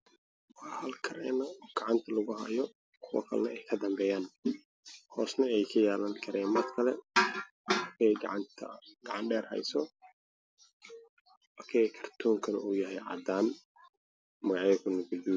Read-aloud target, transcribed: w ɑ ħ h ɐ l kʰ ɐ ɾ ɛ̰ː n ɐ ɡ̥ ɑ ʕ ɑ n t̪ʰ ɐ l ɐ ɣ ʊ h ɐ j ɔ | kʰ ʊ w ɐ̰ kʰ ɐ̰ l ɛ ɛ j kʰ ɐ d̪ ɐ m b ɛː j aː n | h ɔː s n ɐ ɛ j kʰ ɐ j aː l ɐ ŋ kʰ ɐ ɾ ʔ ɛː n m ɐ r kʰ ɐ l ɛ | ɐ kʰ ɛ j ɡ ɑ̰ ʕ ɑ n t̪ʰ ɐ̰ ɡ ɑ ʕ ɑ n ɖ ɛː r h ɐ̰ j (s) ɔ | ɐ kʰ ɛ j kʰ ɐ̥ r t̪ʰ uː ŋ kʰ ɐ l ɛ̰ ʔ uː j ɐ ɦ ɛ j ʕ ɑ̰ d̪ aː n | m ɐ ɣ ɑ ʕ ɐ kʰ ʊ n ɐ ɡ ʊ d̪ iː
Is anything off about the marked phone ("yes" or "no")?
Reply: no